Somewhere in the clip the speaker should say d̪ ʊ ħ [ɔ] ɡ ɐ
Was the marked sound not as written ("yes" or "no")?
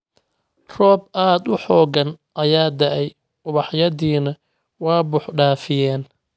yes